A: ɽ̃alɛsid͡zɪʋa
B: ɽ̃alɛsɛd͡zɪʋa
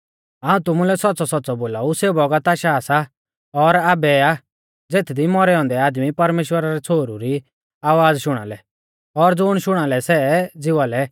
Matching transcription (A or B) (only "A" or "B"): B